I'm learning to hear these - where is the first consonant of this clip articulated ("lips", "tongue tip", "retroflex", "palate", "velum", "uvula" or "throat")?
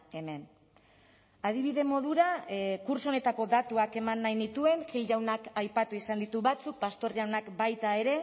lips